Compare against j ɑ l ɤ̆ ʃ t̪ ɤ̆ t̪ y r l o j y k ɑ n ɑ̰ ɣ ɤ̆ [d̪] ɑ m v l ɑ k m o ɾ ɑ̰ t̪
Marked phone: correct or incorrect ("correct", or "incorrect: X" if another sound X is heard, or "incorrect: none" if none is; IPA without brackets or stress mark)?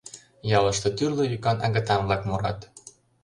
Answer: incorrect: t̪